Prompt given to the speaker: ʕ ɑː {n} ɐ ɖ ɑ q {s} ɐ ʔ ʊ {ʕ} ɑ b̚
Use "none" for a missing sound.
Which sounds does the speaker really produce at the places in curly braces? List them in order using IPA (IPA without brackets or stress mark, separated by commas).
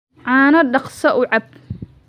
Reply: n, s, ʕ